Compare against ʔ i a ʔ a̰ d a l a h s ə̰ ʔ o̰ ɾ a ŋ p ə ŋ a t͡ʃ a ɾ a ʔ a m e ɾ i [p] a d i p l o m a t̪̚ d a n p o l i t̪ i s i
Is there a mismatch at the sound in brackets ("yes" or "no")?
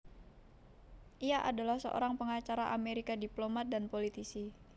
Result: yes